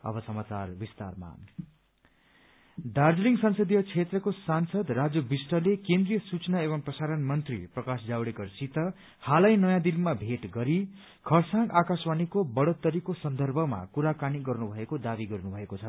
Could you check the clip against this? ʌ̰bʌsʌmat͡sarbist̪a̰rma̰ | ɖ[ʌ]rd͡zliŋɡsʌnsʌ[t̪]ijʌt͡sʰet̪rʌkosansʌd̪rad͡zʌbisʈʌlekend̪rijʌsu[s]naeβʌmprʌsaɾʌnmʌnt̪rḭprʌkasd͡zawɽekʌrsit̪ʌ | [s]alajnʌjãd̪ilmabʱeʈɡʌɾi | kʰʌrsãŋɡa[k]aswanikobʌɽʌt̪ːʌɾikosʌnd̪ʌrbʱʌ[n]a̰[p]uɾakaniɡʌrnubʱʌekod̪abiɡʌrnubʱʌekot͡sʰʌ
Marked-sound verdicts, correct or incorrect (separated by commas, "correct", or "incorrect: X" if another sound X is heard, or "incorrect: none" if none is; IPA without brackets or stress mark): incorrect: a, incorrect: d̪, incorrect: t͡s, incorrect: h, correct, incorrect: m, incorrect: k